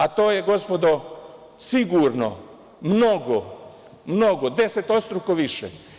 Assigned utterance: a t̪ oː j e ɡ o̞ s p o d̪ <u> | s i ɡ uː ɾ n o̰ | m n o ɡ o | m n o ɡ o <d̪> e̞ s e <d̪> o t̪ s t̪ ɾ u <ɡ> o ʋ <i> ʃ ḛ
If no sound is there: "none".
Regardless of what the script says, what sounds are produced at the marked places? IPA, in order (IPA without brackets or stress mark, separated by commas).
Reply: o, d̪, t̪, k, i